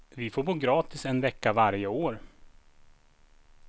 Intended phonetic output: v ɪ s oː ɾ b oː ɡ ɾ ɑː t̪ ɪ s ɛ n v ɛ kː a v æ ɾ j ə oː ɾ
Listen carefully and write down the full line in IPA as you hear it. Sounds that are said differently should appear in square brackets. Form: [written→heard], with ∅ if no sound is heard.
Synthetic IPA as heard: v ɪ [s→f] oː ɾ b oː ɡ ɾ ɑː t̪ ɪ s ɛ n v ɛ kː a v [æ→a] ɾ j ə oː ɾ